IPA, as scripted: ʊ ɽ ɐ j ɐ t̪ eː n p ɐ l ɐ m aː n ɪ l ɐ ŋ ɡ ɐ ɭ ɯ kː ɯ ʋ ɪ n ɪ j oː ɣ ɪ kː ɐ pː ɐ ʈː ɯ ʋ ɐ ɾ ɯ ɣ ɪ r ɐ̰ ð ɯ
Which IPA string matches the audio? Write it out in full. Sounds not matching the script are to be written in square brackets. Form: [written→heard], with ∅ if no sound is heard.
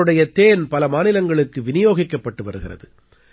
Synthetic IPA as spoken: [ʊ→ɯ] ɽ ɐ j ɐ t̪ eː n p ɐ l ɐ m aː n ɪ l ɐ ŋ ɡ ɐ ɭ ɯ kː ɯ ʋ ɪ n ɪ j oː ɣ ɪ kː ɐ pː ɐ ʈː ɯ ʋ ɐ ɾ ɯ ɣ ɪ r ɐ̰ ð ɯ